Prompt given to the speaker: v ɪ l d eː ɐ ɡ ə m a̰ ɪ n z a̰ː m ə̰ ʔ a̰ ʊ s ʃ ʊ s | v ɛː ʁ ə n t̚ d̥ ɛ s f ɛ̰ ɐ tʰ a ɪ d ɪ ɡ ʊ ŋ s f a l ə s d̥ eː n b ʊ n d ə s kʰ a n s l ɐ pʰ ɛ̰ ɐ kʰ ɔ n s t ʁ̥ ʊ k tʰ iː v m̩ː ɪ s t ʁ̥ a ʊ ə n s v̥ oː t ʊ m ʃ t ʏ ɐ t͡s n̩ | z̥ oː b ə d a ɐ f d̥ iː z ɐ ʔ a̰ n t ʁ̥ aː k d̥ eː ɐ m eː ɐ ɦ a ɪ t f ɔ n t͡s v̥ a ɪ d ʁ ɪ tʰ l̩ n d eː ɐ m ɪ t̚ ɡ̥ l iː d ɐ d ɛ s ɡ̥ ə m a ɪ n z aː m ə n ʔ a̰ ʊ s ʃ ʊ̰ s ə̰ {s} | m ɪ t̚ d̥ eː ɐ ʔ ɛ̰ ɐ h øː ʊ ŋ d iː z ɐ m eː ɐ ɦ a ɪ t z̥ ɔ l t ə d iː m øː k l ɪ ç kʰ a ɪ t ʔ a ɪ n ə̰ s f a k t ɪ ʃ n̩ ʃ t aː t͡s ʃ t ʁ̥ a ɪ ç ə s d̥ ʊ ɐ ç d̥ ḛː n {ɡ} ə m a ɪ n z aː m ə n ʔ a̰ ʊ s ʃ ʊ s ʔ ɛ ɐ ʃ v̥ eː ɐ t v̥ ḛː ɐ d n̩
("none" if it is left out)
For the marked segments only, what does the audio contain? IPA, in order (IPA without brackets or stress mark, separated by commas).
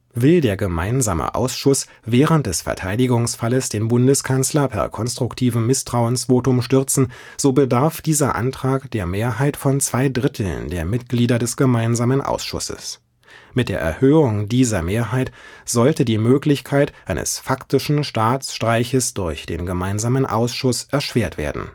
s, ɡ